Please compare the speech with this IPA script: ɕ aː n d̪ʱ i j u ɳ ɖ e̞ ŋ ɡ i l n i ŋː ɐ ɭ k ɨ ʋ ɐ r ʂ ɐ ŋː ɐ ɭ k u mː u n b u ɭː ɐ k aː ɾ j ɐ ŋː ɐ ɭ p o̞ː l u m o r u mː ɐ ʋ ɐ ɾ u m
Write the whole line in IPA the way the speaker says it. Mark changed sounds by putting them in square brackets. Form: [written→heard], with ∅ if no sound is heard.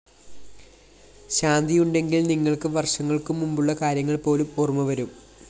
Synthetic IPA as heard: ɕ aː n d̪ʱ i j u ɳ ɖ e̞ ŋ ɡ i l n i ŋː ɐ ɭ k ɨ ʋ ɐ r ʂ ɐ ŋː ɐ ɭ k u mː u [n→m] b u ɭː ɐ k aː ɾ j ɐ ŋː ɐ ɭ p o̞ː l u m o r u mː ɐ ʋ ɐ ɾ u m